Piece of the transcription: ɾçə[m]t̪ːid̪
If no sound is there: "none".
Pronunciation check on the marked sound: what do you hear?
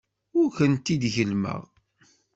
n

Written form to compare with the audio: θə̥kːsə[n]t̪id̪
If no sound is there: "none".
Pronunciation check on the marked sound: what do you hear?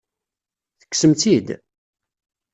m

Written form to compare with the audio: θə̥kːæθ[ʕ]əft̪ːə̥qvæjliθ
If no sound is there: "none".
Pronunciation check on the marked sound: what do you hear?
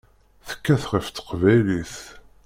ʁ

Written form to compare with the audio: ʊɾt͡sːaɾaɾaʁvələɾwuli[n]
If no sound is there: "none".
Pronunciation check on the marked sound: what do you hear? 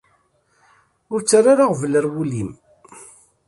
m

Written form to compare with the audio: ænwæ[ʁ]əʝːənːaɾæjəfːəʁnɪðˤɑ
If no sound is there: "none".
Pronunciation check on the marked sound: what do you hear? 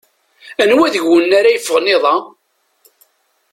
ð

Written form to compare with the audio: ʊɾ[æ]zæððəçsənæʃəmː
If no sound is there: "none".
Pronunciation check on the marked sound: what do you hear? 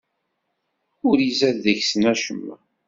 i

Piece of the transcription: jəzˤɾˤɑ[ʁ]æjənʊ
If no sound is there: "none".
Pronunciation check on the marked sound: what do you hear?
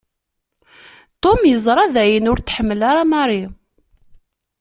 ð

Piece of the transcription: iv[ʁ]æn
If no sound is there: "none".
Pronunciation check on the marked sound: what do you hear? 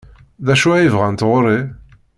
ʁ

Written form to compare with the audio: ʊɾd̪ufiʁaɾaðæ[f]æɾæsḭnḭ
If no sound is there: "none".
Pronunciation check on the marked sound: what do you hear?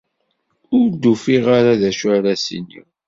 ʃ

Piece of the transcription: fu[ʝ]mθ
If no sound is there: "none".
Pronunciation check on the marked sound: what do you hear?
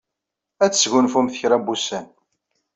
none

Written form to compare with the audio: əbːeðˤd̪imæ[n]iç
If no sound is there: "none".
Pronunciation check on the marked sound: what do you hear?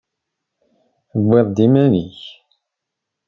n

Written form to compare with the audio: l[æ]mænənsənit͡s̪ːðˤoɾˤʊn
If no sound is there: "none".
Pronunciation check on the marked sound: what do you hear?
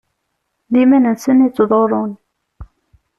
i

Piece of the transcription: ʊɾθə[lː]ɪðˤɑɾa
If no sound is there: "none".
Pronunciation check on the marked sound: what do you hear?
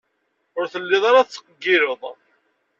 lː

